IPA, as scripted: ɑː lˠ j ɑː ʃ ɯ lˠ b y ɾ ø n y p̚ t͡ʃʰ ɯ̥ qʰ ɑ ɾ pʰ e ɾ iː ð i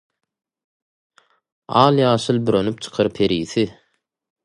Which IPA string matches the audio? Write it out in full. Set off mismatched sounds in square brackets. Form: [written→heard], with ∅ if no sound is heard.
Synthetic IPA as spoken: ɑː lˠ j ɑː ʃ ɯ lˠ b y ɾ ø n y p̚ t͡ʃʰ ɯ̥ qʰ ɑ ɾ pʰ e ɾ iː [ð→θ] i